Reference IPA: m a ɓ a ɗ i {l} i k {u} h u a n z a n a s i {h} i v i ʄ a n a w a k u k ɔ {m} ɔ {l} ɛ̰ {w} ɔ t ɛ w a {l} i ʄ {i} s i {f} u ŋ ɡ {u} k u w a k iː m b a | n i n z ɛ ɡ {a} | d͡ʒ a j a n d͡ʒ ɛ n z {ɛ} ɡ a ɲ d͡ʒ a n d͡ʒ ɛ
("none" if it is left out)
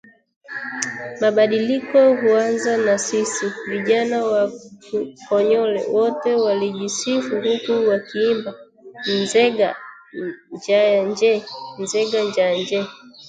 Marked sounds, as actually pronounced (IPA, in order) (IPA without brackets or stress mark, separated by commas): l, ɔ, s, ɲ, l, w, l, i, f, u, a, ɛ